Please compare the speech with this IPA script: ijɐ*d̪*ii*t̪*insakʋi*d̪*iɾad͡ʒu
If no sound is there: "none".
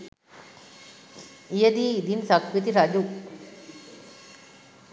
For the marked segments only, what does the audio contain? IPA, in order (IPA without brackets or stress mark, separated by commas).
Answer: d̪, d̪, t̪